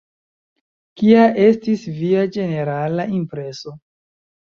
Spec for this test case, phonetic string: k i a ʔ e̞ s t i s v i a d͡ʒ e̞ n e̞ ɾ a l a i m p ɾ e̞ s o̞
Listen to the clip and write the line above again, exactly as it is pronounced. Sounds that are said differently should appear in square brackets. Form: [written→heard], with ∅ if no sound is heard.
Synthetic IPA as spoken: k i a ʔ e̞ s t i s v i a d͡ʒ e̞ n e̞ ɾ a l a i m p ɾ e̞ s o̞